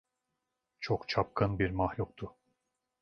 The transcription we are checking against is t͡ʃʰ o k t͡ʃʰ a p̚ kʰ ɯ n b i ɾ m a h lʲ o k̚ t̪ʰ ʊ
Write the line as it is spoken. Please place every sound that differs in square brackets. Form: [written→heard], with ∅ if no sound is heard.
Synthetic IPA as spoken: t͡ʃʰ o k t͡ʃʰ a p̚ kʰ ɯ n b i ɾ m a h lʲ [o→u] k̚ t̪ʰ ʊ